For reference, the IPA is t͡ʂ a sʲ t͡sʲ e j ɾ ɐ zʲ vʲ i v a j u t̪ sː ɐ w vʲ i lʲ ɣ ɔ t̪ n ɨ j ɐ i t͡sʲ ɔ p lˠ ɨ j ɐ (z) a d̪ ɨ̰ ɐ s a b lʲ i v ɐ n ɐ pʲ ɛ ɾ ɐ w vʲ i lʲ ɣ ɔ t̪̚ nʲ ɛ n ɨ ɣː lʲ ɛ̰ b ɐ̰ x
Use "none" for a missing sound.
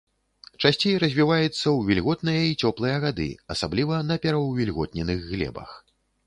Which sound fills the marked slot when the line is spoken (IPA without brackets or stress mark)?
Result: ɣ